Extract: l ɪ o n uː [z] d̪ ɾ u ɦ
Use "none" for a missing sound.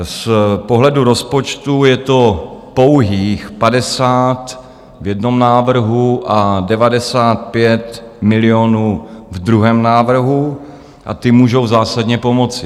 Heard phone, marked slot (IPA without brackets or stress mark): v